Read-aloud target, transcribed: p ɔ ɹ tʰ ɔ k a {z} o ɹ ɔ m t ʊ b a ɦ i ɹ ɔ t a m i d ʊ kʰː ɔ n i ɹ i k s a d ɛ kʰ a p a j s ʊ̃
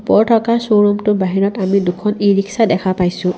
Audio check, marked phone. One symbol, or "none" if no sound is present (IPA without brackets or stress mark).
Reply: s